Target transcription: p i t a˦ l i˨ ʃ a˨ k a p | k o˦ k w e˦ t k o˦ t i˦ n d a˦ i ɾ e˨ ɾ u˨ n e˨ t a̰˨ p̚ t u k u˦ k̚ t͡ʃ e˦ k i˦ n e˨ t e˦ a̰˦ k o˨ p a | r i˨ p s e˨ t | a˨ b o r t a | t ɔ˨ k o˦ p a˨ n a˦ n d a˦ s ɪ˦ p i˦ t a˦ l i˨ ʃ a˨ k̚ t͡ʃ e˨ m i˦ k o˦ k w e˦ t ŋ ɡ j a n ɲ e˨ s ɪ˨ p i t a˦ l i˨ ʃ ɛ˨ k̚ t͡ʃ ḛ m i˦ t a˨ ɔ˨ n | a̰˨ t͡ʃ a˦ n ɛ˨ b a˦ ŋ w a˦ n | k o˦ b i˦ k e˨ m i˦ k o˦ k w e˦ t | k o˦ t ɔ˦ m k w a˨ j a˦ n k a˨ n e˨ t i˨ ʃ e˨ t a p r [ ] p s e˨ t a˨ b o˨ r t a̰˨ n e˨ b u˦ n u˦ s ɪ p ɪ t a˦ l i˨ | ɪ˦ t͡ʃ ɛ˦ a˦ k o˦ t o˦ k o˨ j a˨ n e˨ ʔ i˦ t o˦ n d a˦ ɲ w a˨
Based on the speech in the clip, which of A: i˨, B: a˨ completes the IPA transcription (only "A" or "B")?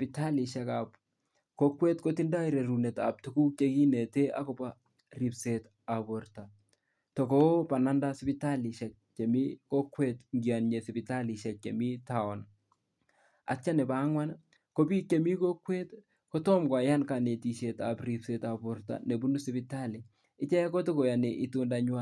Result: A